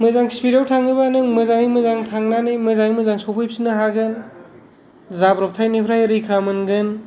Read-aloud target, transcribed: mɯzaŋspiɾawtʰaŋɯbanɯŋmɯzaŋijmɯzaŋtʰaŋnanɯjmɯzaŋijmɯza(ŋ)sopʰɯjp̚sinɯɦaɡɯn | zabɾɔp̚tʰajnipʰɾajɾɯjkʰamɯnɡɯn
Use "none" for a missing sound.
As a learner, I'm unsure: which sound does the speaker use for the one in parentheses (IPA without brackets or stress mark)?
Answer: ŋ